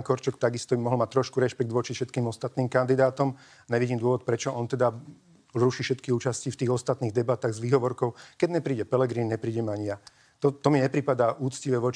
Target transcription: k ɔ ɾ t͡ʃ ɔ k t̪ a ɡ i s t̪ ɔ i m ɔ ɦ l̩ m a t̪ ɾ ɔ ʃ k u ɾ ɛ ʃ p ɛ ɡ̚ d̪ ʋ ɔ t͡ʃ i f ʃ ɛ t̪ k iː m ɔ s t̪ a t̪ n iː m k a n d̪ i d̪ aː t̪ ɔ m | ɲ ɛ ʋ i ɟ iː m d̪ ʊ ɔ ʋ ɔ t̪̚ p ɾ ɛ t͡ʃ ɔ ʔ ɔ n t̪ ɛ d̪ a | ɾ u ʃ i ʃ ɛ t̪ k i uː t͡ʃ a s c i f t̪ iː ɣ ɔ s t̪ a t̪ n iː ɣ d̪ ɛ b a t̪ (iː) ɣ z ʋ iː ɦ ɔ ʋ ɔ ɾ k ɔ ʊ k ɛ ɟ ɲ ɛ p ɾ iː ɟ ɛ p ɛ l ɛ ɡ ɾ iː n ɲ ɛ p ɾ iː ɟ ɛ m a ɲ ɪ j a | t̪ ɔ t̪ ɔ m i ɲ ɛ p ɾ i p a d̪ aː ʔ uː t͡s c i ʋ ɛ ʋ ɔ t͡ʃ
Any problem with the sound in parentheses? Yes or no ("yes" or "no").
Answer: yes